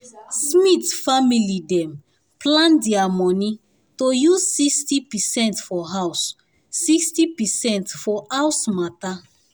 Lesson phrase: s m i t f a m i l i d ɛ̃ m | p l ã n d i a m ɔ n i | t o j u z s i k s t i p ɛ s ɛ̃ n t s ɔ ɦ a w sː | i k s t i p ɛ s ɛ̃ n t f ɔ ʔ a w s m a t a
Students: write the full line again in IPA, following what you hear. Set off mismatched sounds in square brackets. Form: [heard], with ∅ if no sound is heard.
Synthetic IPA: s m i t f a m i l i d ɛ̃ m | p l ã n d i a m ɔ n i | t o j u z s i k s t i p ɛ s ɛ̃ n t [f] ɔ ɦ a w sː | i k s t i p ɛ s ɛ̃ n t f ɔ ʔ a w s m a t a